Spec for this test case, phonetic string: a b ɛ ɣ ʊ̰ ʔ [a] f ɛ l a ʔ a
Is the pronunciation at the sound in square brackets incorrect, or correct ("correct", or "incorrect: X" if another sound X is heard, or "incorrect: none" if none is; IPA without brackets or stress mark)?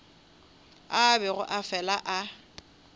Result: correct